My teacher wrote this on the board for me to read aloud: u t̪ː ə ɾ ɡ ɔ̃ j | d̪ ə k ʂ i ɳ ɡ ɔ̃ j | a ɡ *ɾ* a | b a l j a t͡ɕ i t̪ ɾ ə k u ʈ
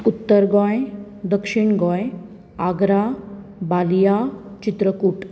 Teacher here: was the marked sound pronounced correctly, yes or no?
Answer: yes